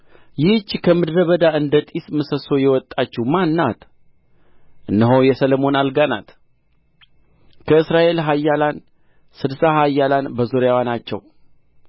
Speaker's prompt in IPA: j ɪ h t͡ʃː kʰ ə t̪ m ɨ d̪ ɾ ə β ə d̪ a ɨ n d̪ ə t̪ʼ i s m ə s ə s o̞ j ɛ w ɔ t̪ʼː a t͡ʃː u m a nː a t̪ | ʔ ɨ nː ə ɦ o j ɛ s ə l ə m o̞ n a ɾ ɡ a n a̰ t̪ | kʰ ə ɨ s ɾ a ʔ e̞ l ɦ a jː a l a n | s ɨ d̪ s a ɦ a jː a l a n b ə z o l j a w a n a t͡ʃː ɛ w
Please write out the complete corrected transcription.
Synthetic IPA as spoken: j ɪ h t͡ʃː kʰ ə m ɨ d̪ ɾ ə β ə d̪ a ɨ n d̪ ə t̪ʼ i s m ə s ə s o̞ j ɛ w ɔ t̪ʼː a t͡ʃː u m a nː a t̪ | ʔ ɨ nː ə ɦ o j ɛ s ə l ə m o̞ n a l ɡ a n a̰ t̪ | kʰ ə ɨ s ɾ a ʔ e̞ l ɦ a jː a l a n | s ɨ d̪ s a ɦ a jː a l a n b ə z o ɾ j a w a n a t͡ʃː ɛ w